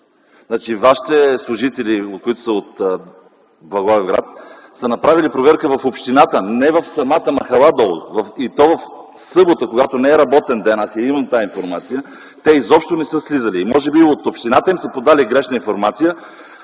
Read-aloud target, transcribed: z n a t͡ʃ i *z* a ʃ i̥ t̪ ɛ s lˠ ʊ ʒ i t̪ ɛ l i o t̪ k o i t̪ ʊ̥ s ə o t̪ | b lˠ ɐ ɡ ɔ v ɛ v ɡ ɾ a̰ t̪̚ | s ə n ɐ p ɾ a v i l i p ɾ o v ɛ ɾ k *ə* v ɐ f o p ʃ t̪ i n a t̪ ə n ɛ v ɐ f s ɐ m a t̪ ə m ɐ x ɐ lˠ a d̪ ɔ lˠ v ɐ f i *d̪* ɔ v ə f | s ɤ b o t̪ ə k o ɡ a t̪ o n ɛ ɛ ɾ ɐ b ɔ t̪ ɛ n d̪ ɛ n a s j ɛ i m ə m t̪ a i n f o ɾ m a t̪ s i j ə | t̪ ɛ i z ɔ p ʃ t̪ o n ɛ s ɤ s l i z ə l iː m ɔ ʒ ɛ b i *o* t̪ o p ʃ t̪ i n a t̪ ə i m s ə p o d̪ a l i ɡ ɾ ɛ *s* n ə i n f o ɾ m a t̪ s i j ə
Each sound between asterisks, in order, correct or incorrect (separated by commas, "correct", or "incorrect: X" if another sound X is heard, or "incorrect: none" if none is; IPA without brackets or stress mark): incorrect: v, correct, incorrect: t̪, correct, incorrect: ʃ